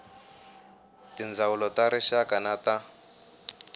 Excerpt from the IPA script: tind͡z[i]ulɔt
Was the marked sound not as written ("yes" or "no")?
yes